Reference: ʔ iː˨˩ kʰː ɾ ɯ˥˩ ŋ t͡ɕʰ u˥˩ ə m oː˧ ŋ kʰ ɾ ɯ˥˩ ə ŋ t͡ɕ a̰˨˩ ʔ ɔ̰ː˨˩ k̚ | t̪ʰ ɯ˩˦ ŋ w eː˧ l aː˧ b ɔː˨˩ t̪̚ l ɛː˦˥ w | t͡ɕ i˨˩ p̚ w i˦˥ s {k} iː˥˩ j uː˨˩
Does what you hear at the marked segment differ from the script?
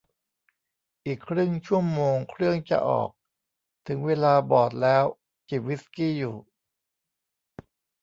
no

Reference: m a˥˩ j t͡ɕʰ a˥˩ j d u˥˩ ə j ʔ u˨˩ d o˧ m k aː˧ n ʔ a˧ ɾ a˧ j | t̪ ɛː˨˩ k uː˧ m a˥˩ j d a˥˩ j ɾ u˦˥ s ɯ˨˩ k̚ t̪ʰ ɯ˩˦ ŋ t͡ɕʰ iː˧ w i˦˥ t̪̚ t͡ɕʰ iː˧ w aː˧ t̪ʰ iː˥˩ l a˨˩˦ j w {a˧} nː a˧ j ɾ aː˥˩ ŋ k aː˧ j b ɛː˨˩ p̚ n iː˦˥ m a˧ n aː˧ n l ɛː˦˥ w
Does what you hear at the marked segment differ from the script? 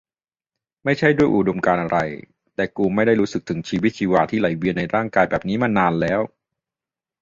yes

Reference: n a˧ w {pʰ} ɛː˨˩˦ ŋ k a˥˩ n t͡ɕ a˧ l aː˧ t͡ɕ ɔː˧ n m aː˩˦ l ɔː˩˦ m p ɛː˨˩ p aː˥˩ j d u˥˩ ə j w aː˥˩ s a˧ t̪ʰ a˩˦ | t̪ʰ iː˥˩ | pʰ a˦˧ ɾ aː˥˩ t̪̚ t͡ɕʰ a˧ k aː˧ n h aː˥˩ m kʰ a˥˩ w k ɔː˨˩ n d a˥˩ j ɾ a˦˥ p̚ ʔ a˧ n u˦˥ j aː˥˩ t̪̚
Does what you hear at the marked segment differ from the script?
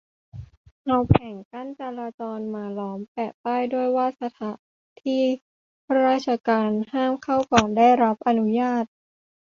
no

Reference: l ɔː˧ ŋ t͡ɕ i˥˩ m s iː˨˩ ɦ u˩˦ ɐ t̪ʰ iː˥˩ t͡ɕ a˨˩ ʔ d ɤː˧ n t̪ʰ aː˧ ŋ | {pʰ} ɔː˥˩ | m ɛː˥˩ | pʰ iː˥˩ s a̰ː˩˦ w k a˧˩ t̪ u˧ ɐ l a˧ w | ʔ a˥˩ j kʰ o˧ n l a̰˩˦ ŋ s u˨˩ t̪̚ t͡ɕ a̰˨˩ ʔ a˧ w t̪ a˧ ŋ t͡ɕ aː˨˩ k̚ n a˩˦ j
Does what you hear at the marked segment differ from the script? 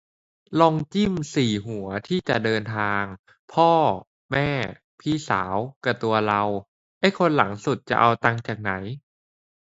no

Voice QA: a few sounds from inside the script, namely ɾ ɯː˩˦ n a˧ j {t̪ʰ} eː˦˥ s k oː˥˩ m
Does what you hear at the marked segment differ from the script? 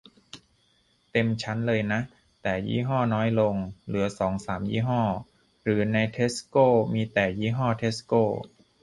no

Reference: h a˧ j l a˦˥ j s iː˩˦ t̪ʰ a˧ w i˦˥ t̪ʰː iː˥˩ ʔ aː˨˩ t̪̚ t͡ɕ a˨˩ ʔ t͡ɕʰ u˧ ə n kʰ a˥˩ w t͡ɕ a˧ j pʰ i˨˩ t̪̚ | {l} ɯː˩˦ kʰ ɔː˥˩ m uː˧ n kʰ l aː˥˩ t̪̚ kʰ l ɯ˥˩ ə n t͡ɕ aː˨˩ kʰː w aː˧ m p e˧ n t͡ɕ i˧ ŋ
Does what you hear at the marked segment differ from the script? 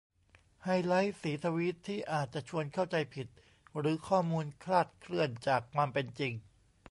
yes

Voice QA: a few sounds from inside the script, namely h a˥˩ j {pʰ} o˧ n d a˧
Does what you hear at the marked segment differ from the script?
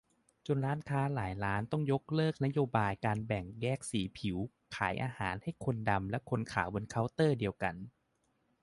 yes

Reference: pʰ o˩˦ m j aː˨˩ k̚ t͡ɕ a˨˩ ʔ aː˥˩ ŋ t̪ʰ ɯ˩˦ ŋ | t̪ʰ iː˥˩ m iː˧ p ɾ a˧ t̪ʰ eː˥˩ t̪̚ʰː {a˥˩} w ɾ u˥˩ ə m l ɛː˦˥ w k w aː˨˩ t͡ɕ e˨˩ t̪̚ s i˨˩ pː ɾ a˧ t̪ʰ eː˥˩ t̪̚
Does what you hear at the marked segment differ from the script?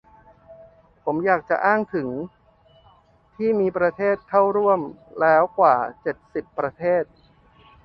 no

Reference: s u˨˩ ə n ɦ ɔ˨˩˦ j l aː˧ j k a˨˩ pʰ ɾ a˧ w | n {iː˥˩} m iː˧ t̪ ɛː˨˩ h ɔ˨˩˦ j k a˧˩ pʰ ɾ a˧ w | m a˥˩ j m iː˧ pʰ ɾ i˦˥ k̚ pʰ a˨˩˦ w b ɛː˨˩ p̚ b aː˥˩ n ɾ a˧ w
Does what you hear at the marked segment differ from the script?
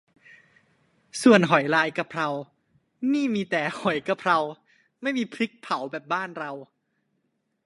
no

